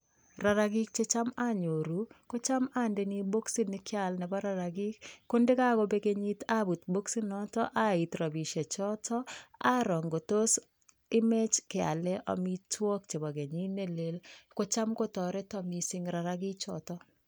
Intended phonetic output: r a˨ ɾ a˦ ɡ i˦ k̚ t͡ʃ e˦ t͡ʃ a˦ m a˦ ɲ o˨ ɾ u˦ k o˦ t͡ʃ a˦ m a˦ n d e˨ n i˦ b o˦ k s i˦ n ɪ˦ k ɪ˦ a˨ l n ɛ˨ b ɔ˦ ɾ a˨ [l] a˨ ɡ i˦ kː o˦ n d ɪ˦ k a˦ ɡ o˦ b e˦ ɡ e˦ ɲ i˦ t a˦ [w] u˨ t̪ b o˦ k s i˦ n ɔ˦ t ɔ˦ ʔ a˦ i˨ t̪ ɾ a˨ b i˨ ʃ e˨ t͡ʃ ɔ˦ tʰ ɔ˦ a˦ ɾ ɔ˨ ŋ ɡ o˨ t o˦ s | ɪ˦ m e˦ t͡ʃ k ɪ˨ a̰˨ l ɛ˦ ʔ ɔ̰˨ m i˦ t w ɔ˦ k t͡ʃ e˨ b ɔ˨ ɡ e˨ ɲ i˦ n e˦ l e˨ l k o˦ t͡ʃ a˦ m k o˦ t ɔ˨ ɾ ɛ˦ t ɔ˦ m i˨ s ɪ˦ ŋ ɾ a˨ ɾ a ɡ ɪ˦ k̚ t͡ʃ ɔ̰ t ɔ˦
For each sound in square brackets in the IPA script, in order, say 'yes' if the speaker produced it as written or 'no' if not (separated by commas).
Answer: no, no